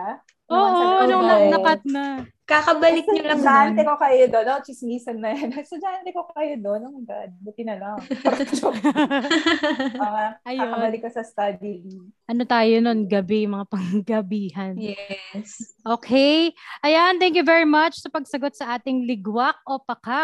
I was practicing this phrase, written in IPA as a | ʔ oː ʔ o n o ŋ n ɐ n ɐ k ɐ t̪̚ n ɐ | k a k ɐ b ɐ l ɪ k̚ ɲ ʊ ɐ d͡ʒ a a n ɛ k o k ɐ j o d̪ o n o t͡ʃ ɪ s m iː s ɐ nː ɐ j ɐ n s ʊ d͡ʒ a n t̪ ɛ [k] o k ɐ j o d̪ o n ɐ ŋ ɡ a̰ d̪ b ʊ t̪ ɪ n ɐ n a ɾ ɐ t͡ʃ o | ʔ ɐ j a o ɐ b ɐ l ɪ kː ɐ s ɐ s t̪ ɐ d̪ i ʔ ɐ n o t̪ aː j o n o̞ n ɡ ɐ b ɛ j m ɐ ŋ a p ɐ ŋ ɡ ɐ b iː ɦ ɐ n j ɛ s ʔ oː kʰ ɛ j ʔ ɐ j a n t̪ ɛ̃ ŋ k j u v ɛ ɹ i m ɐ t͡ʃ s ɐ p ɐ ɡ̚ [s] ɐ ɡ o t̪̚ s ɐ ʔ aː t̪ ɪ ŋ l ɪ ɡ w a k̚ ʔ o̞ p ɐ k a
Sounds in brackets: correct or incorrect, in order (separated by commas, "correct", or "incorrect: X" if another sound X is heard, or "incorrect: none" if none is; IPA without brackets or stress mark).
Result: correct, correct